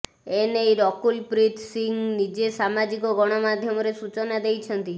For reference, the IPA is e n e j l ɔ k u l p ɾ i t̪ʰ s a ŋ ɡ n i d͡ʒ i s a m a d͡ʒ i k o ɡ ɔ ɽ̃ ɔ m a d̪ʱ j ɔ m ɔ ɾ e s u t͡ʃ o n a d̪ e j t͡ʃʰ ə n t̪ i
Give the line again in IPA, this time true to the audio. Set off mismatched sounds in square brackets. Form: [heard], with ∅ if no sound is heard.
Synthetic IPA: e n e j [ɾ] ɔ k u l p ɾ i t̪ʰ s [i] ŋ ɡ n i d͡ʒ [e] s a m a d͡ʒ i k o ɡ ɔ ɽ̃ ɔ m a d̪ʱ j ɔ m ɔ ɾ e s u t͡ʃ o n a d̪ e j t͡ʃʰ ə n t̪ i